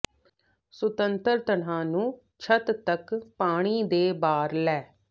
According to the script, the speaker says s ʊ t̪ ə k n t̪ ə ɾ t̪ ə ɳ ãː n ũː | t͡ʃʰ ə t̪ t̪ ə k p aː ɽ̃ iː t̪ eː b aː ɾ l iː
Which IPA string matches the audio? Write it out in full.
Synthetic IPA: s ʊ t̪ ə n t̪ ə ɾ t̪ ə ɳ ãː n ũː | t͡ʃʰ ə t̪ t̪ ə k p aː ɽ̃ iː d̪ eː b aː ɾ l ɛː